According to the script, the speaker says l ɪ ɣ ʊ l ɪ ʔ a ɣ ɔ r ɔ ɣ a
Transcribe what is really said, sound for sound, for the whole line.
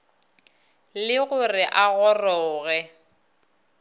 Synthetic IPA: l ɪ ɣ ʊ r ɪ ʔ a ɣ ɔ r ɔː ɣ ɛ